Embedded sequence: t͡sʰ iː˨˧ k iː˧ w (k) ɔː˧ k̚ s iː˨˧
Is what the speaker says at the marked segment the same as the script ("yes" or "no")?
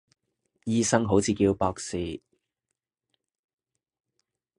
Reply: no